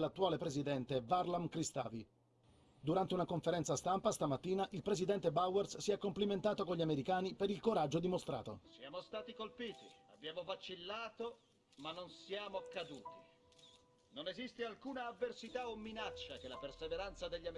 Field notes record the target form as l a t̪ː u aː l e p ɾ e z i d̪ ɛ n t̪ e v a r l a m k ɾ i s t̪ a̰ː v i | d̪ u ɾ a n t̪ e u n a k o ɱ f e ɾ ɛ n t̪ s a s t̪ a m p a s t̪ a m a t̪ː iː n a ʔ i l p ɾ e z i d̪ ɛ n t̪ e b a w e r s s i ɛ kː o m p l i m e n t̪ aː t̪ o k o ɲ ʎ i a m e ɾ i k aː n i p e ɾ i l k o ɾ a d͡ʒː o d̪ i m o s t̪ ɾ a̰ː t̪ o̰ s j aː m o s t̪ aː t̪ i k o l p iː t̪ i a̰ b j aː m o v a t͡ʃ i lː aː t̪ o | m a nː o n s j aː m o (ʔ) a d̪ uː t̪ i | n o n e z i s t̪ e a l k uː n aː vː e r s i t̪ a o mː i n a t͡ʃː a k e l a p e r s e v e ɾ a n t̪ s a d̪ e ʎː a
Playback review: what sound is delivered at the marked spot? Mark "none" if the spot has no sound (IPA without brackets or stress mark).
k